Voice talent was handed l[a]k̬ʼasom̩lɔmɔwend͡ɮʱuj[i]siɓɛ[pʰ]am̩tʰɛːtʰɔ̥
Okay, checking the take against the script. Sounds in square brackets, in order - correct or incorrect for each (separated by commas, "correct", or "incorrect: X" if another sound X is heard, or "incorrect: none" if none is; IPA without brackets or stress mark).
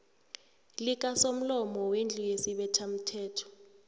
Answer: incorrect: i, incorrect: e, incorrect: tʰ